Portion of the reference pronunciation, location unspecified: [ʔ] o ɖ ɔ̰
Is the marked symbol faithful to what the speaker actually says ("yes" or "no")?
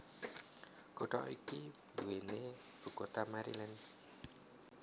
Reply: no